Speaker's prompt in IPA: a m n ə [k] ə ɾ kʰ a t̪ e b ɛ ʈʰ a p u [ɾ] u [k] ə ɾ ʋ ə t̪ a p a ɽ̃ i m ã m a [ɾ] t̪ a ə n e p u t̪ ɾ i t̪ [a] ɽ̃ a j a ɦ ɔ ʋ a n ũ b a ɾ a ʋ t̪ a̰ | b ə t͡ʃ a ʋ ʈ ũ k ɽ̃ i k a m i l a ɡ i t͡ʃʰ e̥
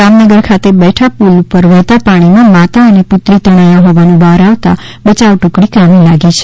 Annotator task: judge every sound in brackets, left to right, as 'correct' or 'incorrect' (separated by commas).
incorrect, incorrect, incorrect, incorrect, incorrect